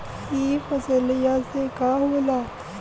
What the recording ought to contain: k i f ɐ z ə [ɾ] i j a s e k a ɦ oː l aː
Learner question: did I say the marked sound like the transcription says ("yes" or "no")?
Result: no